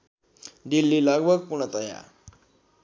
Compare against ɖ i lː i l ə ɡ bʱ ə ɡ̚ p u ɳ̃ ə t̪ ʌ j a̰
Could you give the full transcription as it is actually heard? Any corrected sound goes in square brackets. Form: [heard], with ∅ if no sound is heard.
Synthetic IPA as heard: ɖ i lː i l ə ɡ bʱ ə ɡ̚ p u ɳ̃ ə t̪ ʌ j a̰